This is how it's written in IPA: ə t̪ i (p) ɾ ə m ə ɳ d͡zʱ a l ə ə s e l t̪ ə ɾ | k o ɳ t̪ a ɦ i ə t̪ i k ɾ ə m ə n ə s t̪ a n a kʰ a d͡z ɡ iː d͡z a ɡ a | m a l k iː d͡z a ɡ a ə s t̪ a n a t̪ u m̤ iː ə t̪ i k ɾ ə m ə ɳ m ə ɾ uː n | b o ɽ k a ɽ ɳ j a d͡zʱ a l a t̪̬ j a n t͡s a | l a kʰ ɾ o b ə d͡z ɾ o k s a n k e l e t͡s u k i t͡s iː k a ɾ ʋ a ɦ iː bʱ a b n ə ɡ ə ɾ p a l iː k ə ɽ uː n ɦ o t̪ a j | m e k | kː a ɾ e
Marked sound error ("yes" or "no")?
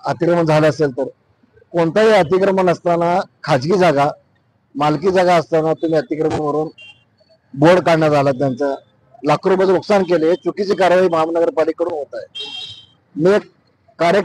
yes